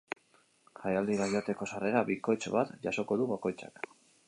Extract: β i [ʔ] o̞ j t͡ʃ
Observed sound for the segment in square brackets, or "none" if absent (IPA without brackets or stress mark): k